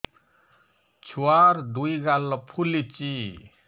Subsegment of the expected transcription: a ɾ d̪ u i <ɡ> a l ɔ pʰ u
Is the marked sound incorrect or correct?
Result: correct